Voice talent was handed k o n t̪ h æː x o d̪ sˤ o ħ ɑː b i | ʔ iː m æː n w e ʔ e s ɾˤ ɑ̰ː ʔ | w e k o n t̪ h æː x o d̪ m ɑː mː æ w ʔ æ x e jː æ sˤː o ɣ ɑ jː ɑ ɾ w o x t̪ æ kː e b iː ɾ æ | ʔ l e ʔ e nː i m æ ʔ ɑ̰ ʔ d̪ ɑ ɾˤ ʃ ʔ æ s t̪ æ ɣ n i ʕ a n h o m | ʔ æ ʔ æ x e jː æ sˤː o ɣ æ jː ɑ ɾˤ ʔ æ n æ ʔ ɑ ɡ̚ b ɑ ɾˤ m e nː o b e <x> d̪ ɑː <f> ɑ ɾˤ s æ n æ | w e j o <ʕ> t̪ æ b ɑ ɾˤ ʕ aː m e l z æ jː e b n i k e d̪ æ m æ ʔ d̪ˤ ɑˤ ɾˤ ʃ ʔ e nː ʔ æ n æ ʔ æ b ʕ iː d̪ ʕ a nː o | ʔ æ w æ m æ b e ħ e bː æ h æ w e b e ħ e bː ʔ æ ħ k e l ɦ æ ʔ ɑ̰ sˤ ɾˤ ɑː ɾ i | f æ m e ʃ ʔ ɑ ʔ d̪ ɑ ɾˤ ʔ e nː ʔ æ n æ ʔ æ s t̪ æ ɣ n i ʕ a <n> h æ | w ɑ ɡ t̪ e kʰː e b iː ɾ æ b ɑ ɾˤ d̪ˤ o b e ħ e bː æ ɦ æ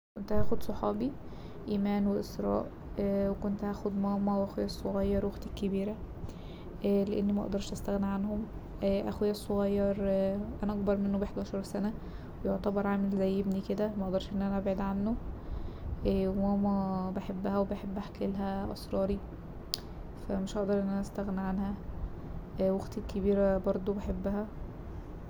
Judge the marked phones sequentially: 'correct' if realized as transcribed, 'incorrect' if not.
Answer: incorrect: ħ, incorrect: ʃ, correct, correct

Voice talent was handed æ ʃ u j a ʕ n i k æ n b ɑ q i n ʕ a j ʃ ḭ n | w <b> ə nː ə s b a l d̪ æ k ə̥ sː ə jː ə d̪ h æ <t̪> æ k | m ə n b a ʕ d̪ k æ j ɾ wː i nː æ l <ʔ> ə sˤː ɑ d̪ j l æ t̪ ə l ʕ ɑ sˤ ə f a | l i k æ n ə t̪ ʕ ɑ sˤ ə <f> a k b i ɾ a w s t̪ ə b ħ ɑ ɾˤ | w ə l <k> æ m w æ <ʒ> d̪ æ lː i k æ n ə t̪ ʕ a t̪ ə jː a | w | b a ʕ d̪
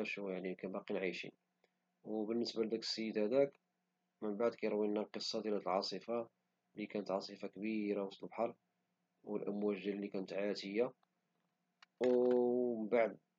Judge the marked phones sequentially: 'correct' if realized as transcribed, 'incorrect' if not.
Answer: correct, incorrect: d̪, incorrect: q, correct, incorrect: ʔ, correct

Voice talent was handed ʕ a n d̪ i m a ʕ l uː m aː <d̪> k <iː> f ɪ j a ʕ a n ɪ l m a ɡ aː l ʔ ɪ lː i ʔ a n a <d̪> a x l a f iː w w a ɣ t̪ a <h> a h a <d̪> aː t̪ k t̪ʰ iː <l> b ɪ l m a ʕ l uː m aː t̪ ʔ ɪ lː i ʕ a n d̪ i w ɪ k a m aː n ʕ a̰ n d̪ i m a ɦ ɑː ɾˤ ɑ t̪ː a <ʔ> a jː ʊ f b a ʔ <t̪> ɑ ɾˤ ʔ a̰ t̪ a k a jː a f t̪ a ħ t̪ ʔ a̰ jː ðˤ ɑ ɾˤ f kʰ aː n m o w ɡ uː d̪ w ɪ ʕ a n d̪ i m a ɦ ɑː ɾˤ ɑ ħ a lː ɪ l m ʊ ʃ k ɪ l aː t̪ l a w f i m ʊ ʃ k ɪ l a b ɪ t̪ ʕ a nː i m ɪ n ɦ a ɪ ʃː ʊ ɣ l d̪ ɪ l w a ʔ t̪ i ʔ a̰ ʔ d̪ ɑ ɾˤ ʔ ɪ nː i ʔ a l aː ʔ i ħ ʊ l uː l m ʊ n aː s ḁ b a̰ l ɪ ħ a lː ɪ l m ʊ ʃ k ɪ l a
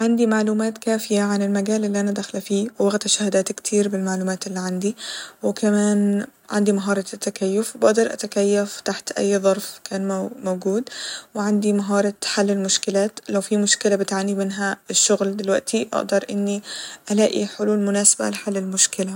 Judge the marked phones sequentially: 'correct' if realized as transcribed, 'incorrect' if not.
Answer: incorrect: t̪, incorrect: aː, correct, incorrect: ʃ, correct, incorrect: ɾ, incorrect: k, incorrect: d̪

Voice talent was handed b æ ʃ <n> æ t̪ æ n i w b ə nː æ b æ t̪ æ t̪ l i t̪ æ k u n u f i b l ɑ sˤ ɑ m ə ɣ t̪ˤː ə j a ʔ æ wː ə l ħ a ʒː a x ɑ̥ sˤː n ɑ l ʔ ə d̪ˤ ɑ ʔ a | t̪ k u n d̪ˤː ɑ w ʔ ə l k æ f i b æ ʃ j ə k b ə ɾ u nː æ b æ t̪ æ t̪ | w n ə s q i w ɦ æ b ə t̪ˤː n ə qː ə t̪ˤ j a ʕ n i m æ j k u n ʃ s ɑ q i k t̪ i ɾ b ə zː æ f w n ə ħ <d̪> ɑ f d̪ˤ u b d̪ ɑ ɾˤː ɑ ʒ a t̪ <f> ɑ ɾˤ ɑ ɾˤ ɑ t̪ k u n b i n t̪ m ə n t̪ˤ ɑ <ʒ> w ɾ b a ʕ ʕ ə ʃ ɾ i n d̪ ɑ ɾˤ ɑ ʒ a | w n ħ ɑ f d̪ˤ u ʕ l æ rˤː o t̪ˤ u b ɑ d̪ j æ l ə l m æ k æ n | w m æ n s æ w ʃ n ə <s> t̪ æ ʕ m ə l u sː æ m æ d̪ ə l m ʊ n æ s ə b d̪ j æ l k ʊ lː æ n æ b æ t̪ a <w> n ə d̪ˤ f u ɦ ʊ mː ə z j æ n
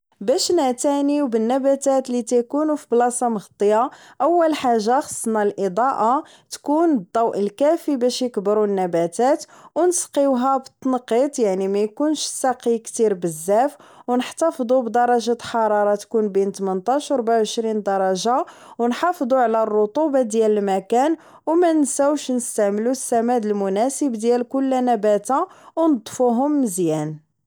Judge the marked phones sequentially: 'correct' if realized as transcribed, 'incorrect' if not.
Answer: correct, incorrect: t̪, incorrect: ħ, incorrect: ʃ, correct, correct

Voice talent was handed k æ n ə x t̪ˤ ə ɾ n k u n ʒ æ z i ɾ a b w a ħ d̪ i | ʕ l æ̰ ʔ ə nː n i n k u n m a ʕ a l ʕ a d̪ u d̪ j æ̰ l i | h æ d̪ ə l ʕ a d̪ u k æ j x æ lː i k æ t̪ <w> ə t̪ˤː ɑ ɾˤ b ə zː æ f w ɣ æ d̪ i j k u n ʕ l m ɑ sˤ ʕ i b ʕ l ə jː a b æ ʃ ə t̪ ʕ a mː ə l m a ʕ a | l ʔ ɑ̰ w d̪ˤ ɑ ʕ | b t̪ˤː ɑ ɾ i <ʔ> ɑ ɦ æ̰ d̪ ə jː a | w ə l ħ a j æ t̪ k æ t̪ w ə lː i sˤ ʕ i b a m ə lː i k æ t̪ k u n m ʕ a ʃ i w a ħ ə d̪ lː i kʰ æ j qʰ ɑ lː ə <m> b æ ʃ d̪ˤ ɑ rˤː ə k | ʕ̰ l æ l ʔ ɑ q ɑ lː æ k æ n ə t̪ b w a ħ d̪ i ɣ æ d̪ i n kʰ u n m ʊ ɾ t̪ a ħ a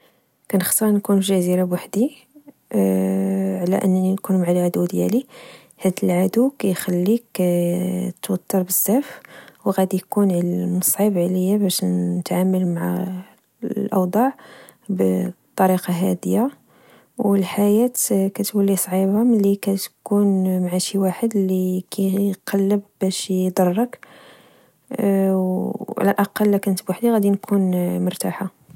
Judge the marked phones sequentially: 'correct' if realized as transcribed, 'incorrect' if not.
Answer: correct, incorrect: q, incorrect: b

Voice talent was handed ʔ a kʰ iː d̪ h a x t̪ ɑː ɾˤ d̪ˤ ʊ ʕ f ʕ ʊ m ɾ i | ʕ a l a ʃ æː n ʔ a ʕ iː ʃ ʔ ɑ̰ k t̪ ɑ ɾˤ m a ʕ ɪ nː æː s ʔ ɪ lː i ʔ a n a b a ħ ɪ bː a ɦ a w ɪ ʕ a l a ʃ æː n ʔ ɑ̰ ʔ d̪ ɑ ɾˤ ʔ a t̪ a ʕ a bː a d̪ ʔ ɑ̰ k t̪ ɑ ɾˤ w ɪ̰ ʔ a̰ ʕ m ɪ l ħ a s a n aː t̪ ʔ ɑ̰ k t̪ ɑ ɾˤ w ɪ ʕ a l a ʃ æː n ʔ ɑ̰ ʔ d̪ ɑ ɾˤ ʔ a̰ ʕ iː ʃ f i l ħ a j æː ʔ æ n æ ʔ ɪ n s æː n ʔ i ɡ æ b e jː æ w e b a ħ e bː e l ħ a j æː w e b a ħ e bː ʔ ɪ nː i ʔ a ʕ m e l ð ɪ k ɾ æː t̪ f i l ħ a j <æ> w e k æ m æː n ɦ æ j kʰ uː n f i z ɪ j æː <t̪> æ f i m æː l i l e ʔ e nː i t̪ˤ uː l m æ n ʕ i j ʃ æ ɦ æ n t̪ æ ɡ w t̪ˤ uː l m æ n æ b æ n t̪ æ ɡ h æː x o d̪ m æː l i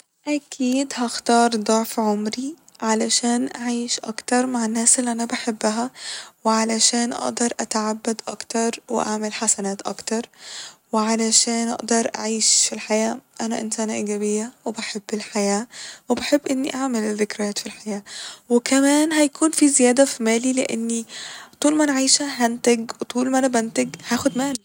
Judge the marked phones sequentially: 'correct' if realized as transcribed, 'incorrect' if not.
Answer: incorrect: æː, incorrect: d̪

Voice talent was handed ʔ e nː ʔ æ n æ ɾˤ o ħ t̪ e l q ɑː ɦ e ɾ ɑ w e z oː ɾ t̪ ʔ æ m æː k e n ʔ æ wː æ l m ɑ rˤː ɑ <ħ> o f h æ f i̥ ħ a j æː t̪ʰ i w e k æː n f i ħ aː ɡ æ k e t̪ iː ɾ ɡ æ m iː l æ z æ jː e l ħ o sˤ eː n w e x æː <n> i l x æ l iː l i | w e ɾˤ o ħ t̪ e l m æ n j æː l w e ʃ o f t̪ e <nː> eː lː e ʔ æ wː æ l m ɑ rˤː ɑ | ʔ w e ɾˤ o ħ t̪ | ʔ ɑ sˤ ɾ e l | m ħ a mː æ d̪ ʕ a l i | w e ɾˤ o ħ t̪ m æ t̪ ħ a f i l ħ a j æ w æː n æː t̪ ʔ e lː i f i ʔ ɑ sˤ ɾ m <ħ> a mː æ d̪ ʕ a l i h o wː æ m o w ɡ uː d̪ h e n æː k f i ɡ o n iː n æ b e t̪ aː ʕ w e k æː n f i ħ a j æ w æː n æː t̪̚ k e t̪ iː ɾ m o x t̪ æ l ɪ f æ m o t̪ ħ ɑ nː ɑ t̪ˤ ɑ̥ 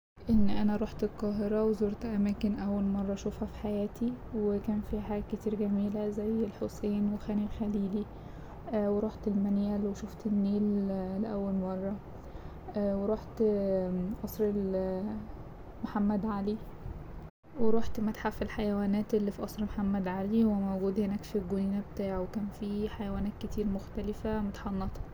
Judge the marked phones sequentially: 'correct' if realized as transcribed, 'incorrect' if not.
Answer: incorrect: ʃ, correct, correct, correct

